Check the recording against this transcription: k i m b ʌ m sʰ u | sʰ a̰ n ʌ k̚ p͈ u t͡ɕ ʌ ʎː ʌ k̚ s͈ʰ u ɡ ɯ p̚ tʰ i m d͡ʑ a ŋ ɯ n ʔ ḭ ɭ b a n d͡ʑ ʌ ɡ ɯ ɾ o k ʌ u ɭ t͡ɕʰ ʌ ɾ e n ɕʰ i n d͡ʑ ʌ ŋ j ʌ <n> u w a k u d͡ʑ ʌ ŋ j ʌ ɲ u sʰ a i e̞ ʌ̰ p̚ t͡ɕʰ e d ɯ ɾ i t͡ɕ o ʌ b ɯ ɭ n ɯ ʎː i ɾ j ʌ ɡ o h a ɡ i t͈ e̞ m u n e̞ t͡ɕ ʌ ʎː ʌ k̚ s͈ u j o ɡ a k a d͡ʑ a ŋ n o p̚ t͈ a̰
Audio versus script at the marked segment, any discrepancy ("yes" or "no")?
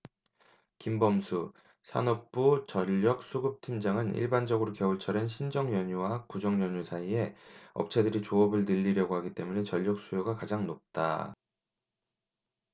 yes